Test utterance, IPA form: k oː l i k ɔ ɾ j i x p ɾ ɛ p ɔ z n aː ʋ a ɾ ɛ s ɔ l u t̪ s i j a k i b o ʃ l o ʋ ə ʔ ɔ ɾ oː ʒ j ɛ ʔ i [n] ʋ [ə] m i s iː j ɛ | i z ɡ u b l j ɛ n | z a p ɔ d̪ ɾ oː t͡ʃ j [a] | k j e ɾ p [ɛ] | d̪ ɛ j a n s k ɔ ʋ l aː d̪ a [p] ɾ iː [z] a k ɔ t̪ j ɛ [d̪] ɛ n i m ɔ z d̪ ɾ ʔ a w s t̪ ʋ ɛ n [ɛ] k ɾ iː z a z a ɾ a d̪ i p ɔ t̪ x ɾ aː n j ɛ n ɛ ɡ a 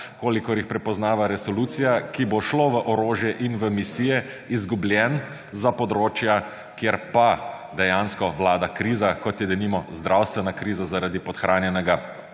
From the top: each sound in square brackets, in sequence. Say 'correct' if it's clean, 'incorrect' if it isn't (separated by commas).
correct, correct, correct, incorrect, incorrect, correct, correct, incorrect